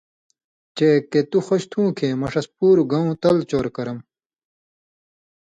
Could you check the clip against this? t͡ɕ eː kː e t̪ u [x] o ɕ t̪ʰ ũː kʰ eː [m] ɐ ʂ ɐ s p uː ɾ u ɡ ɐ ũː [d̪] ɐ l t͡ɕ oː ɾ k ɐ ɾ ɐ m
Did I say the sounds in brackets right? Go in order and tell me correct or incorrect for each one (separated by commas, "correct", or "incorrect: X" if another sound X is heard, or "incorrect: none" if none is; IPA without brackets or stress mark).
correct, correct, incorrect: t̪